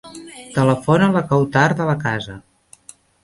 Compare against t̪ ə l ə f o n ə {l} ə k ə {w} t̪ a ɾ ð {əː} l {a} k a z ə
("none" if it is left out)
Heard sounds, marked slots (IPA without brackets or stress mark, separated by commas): l, w, ə, ə